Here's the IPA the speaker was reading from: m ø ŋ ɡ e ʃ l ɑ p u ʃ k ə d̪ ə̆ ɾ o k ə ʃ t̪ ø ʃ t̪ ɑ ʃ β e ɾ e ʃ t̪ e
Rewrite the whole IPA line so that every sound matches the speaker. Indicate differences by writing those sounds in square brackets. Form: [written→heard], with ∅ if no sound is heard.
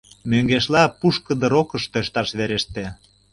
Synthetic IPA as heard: m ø ŋ ɡ e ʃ l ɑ p u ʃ k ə d̪ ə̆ ɾ o k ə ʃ t̪ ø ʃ t̪ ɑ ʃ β e ɾ e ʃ t̪ e